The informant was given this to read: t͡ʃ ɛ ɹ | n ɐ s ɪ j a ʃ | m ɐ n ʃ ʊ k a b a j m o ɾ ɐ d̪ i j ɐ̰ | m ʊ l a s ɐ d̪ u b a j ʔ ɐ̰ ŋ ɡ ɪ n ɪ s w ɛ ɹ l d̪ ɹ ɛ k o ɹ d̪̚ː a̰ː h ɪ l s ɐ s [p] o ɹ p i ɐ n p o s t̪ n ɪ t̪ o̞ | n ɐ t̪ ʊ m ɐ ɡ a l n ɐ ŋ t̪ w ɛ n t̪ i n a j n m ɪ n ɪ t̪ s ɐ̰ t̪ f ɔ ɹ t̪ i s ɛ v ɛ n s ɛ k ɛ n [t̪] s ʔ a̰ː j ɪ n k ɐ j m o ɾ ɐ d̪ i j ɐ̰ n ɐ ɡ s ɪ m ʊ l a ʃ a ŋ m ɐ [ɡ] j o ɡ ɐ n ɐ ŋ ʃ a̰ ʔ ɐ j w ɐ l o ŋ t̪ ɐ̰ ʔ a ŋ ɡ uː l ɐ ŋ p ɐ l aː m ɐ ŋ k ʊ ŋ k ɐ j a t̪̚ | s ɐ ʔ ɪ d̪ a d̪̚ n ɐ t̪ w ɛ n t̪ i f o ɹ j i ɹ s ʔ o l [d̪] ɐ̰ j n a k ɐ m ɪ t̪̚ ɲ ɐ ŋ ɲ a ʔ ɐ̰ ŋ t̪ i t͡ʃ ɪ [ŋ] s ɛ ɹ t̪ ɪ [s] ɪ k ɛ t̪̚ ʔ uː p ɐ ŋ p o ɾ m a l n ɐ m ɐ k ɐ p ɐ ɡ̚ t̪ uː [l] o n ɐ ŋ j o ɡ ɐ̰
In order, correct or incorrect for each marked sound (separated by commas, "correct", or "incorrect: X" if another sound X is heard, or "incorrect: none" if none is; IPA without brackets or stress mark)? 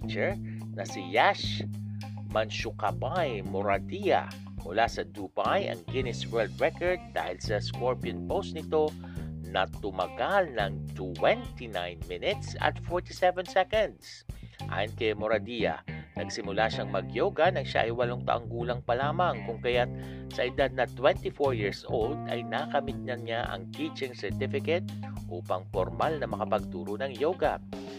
incorrect: k, incorrect: d̪, correct, correct, correct, incorrect: f, incorrect: ɾ